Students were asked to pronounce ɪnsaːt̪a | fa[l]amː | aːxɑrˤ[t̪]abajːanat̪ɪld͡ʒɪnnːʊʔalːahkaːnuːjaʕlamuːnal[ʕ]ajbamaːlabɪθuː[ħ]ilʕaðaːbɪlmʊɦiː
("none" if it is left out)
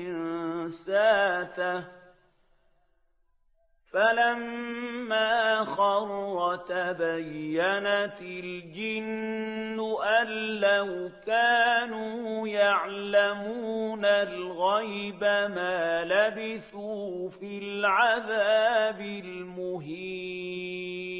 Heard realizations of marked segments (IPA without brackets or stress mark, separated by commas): l, t̪, ɣ, f